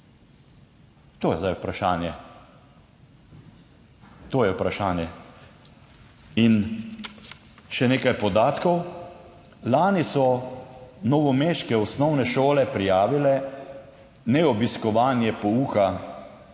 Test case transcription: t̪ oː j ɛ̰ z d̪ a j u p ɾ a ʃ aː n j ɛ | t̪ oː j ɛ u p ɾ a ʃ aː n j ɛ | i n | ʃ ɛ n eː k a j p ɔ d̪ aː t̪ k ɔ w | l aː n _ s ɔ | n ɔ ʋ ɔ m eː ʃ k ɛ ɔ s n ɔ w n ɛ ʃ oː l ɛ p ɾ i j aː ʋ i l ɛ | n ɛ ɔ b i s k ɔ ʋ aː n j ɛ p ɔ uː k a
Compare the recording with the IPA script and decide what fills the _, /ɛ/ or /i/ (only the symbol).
i